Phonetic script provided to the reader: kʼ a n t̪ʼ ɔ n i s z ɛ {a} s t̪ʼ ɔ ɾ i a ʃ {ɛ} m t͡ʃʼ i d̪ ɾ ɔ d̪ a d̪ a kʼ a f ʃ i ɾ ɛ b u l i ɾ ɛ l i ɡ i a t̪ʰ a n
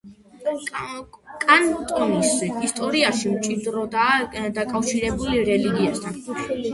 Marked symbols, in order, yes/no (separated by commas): no, no